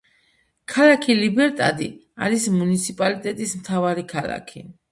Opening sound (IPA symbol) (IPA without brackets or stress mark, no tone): kʰ